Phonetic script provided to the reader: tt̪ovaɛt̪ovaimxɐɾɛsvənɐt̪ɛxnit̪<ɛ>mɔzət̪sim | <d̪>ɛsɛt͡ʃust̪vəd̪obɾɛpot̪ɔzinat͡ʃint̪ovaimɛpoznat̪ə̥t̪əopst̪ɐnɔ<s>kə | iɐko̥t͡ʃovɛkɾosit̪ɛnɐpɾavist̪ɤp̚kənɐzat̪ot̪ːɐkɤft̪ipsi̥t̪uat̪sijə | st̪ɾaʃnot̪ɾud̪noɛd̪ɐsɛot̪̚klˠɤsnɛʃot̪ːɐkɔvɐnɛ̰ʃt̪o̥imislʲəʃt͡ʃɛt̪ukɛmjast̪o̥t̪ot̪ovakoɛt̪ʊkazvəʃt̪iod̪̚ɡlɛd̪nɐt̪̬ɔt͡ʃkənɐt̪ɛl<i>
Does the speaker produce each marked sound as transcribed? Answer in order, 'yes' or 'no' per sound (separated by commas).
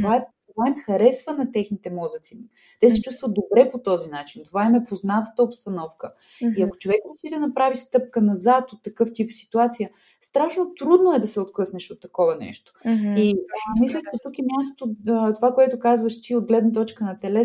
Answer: yes, no, no, no